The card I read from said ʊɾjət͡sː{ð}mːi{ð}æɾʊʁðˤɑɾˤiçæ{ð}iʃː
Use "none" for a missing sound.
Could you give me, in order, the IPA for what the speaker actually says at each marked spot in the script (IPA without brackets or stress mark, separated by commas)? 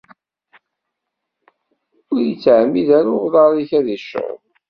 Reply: ʕ, ð, ð